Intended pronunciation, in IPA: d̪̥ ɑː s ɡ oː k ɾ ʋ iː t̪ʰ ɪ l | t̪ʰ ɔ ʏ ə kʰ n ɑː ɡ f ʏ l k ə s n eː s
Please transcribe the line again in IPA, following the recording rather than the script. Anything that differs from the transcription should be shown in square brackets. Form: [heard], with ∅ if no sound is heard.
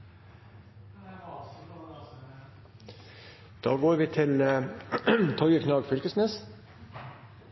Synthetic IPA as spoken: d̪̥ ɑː [∅] ɡ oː [∅] ɾ ʋ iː t̪ʰ ɪ l | t̪ʰ ɔ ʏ ə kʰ n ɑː ɡ f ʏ l k ə s n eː s